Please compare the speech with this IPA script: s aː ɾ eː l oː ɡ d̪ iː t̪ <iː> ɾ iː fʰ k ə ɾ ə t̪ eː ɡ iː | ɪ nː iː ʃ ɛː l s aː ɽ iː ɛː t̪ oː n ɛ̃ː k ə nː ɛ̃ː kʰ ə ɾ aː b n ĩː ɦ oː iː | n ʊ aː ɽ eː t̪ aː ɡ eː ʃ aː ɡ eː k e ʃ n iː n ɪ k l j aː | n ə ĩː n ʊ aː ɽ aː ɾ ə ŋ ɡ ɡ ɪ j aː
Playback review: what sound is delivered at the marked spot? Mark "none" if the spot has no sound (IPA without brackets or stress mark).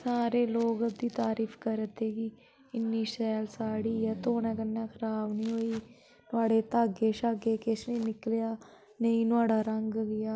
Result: aː